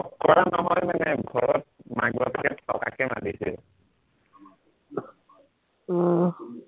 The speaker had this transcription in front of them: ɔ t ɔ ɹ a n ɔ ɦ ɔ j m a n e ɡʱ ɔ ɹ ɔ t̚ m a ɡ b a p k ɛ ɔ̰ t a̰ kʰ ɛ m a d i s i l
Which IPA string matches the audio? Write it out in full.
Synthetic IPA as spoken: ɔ k ɔ ɹ a n ɔ ɦ ɔ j m a n ɛ ɡʱ ɔ ɹ ɔ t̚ m a ɡ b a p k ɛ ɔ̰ k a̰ k ɛ m a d i s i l